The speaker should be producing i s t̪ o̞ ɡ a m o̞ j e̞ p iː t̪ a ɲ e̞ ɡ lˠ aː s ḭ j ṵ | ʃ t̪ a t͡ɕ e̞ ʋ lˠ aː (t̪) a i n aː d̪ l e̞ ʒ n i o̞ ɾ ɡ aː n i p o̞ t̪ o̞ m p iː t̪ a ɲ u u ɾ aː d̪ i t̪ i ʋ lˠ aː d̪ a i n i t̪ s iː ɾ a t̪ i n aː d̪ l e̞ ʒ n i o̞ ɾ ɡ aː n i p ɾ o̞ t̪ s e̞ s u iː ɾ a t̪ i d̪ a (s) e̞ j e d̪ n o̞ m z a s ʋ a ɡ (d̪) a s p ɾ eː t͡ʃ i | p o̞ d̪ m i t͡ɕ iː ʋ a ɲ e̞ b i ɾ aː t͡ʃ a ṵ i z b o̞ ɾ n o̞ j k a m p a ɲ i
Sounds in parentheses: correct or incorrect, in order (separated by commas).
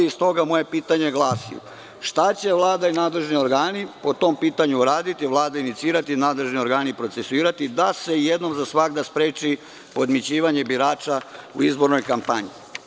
incorrect, correct, correct